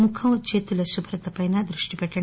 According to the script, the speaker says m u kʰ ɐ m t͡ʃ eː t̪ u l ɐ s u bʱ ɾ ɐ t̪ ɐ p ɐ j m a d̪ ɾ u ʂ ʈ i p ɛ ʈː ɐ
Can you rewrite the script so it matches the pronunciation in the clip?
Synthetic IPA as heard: m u kʰ ɐ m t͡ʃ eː t̪ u l ɐ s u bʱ ɾ ɐ t̪ ɐ p ɐ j n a d̪ ɾ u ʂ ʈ i p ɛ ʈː ɐ